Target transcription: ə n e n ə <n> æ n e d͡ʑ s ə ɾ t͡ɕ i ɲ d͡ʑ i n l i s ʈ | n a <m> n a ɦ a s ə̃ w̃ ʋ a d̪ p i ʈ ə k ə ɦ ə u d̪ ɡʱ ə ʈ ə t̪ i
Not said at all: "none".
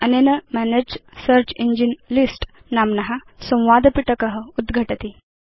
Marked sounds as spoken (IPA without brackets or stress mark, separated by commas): m, m